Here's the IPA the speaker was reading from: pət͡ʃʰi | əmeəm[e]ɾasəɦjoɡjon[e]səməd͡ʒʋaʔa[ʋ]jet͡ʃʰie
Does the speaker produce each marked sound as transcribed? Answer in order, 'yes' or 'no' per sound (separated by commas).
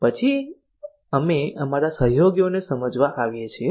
no, yes, yes